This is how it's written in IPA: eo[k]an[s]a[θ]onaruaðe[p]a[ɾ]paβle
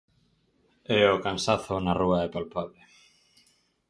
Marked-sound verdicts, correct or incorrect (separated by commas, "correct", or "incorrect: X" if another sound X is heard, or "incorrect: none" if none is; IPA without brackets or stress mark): correct, correct, correct, correct, incorrect: l